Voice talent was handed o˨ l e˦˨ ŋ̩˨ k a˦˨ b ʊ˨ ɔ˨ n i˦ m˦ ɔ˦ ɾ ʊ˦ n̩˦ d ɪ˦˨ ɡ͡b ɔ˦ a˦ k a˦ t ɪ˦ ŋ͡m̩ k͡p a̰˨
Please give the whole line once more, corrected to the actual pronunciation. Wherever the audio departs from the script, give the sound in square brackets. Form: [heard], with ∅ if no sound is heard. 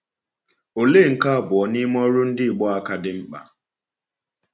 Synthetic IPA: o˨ l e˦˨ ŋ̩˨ k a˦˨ b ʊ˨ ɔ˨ n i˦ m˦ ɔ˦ ɾ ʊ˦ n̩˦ d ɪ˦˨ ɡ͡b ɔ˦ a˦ k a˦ [d] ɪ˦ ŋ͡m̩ k͡p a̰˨

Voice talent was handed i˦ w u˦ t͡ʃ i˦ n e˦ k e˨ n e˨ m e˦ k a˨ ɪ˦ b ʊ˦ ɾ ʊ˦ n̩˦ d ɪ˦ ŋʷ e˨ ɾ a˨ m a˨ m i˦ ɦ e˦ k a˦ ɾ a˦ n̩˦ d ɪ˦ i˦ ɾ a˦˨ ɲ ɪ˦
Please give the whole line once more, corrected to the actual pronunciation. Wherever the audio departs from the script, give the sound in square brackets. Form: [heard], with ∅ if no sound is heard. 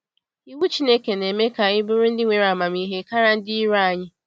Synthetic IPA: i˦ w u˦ t͡ʃ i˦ n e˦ k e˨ n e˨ m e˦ k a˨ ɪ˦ b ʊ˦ ɾ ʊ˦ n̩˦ d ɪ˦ ŋʷ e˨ ɾ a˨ m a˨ m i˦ ɦ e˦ k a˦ ɾ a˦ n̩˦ d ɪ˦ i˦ ɾ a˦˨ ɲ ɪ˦

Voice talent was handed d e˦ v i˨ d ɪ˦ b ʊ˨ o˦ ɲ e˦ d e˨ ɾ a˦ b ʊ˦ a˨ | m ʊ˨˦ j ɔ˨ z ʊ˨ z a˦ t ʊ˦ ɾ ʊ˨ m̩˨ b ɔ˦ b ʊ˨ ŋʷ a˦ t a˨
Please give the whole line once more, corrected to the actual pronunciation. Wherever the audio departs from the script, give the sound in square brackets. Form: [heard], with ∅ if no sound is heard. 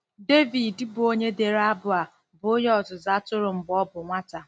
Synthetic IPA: d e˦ v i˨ d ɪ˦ b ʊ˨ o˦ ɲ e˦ d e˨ ɾ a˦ b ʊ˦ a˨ | [b] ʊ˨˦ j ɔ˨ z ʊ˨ z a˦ t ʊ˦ ɾ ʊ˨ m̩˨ b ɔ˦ b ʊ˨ ŋʷ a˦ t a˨

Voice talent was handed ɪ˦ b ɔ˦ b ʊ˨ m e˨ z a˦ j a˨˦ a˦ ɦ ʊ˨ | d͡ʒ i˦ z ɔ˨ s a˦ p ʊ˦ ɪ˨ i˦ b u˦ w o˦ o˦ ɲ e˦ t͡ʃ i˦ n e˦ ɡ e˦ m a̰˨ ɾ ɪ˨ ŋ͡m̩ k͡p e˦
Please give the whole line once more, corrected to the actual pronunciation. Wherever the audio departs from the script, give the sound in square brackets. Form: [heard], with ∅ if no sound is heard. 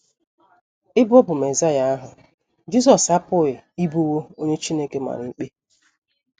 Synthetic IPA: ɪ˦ b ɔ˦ b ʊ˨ m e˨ z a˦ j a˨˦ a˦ ɦ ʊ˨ | d͡ʒ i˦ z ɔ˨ s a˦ p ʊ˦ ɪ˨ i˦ b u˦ w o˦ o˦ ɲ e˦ t͡ʃ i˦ n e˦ [k] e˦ m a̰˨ ɾ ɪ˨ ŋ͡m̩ k͡p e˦

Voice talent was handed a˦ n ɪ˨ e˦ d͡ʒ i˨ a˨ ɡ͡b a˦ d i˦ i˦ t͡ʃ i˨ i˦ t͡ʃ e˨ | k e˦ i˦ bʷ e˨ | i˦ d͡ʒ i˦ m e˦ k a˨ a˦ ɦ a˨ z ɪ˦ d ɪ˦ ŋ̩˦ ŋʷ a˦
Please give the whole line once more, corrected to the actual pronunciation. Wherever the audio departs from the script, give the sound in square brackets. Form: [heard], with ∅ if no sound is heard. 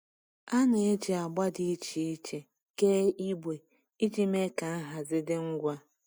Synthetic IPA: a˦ n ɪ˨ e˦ d͡ʒ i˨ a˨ ɡ͡b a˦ d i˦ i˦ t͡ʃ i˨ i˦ t͡ʃ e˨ | k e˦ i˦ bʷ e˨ | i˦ d͡ʒ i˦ m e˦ k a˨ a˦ ɦ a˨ z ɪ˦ d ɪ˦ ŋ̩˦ [ɡʷ] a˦

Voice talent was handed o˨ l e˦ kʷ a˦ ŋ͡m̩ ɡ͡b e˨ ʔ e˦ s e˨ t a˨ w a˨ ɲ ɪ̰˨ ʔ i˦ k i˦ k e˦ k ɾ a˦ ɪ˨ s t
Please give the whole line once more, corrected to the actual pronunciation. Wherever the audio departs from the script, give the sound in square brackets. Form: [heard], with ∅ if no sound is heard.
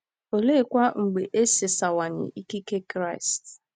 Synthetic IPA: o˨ l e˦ kʷ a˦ ŋ͡m̩ ɡ͡b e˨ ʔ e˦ s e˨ [s] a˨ w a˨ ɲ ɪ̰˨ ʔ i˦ k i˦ k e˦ k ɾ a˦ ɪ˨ s t

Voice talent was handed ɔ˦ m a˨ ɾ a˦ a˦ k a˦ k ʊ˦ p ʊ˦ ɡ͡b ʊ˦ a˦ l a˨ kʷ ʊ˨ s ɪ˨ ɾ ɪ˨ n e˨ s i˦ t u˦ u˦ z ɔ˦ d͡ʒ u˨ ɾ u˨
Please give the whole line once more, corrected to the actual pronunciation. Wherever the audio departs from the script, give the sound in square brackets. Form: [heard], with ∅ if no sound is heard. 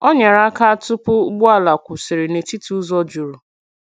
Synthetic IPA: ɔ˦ [ɲ] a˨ ɾ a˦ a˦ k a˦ [t] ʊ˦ p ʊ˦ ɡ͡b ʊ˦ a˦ l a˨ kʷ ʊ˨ s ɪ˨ ɾ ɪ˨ n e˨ [t] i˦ t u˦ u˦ z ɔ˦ d͡ʒ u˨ ɾ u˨

